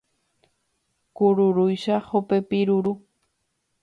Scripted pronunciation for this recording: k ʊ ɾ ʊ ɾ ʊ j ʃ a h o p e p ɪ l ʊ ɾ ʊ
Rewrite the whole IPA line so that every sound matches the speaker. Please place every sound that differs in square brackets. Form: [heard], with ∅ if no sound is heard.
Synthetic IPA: k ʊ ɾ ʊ ɾ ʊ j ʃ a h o p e p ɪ [ɾ] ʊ ɾ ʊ